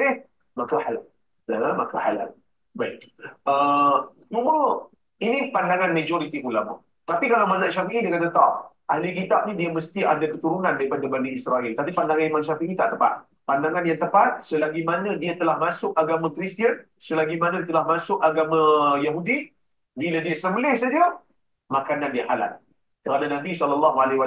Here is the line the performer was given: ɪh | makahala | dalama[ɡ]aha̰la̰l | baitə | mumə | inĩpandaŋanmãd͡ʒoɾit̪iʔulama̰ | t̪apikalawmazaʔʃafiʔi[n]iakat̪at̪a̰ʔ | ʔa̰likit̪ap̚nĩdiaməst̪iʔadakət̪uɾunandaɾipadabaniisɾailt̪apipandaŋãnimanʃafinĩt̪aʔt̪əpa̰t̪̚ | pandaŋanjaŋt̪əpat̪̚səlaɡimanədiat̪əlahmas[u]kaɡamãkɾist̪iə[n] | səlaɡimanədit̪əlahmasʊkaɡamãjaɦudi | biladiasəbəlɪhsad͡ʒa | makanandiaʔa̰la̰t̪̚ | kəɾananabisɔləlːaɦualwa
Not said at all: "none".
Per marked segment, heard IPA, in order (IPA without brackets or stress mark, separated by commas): k, d, ʊ, n